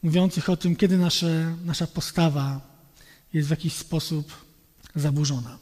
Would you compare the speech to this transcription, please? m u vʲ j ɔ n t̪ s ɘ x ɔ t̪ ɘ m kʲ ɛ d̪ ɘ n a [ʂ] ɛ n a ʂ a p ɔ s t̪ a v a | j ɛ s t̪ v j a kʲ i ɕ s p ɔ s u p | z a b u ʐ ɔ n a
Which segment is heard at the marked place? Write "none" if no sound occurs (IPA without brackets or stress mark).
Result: ʂ